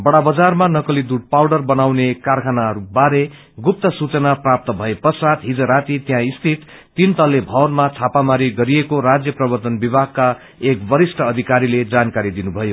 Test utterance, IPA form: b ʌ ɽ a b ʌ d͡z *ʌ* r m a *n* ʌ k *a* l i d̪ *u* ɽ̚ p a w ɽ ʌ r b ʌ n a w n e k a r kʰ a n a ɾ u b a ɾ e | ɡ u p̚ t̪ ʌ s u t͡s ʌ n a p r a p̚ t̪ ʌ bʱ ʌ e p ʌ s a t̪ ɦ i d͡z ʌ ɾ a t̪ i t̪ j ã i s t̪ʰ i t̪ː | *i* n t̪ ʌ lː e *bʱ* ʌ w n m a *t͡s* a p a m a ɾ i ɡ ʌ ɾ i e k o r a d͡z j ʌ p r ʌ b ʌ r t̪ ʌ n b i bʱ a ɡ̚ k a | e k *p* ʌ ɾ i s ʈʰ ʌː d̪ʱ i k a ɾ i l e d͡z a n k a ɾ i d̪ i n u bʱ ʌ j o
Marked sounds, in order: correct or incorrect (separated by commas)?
incorrect, correct, incorrect, correct, correct, correct, incorrect, incorrect